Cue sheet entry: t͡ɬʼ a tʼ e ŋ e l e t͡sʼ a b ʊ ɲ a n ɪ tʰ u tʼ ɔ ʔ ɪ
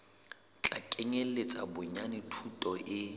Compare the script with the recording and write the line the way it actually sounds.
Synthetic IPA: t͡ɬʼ a kʼ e ŋ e l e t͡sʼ a b ʊ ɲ a n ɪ tʰ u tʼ ɔ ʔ ɪ